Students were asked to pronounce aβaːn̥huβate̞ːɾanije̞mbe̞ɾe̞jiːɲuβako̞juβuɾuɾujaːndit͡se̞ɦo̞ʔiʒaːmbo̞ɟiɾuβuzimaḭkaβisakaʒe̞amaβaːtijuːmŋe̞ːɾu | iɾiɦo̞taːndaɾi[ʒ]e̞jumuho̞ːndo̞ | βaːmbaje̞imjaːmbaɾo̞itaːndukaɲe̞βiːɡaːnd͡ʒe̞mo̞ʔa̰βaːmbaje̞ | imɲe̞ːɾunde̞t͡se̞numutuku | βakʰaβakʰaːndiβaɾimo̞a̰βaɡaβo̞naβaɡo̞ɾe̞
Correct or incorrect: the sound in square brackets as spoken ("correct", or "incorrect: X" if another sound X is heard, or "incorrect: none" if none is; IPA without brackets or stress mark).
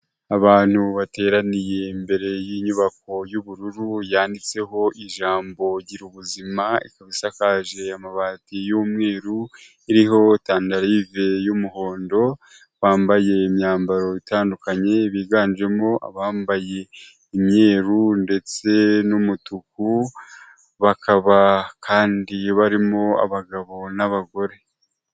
incorrect: v